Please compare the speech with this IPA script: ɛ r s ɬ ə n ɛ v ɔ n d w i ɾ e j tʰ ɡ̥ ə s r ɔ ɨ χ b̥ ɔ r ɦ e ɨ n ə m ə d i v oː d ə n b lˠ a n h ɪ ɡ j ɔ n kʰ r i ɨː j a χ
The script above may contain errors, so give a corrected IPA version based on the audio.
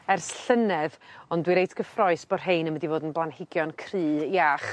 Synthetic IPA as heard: ɛ r s ɬ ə n ɛ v ɔ n d w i ɾ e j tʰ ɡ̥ ə f r ɔ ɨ s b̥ ɔ r ɦ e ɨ n ə m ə d i v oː d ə n b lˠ a n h ɪ ɡ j ɔ n kʰ r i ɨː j a χ